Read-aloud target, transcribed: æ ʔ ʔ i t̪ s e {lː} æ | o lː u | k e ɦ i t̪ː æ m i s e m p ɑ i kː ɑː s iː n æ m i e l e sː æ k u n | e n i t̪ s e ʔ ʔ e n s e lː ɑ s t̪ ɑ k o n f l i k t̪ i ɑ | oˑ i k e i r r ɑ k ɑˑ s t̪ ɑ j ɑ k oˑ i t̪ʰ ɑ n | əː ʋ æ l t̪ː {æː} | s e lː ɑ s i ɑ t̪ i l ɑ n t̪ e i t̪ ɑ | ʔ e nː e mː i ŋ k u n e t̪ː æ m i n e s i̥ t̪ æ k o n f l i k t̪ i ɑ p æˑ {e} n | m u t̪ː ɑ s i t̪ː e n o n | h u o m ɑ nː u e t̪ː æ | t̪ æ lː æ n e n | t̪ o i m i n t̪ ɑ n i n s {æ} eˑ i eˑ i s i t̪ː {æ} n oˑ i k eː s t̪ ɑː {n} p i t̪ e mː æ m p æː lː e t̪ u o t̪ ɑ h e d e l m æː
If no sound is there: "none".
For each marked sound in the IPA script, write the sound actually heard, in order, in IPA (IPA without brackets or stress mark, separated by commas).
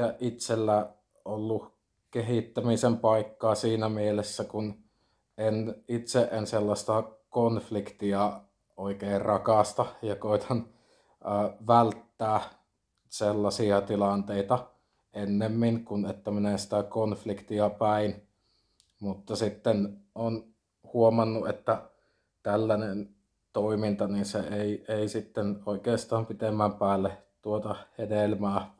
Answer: lː, æː, i, e, e, m